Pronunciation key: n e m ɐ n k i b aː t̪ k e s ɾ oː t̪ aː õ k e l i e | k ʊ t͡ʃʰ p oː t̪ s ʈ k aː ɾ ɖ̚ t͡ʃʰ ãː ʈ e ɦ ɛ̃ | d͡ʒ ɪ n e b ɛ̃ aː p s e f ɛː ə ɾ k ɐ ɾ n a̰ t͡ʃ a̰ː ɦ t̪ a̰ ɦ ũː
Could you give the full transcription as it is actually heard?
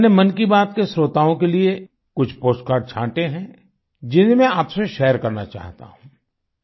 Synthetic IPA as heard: n e m ɐ n k i b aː t̪ k e s ɾ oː t̪ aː õ k e l i e | k ʊ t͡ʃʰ p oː s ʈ k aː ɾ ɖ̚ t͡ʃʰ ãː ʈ e ɦ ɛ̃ | d͡ʒ ɪ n e m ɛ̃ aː p s e ʃ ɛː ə ɾ k ɐ ɾ n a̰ t͡ʃ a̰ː ɦ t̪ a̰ ɦ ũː